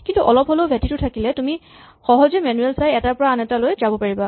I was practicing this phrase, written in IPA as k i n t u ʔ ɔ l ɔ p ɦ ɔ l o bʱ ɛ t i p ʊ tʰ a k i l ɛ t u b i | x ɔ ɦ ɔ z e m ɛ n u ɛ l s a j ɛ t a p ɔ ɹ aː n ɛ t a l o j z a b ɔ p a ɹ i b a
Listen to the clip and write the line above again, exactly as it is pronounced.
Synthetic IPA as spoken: k i n t u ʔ ɔ l ɔ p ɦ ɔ l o bʱ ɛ t i t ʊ tʰ a k i l ɛ t u m i | x ɔ ɦ ɔ z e m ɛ n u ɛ l s a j ɛ t a p ɔ ɹ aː n ɛ t a l o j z a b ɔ p a ɹ i b a